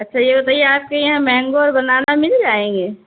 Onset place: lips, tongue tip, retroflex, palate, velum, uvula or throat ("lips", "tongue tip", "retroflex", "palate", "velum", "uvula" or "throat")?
tongue tip